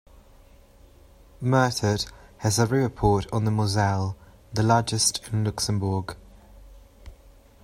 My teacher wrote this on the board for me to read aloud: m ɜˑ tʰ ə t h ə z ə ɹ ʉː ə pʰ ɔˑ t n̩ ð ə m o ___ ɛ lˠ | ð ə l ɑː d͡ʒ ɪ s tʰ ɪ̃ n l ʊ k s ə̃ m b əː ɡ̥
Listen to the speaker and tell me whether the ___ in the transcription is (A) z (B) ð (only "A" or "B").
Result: A